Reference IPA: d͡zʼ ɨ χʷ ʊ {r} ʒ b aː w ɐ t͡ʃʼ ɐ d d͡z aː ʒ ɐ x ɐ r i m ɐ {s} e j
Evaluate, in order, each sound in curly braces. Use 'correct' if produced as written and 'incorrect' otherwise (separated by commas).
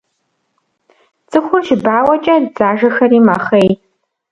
correct, incorrect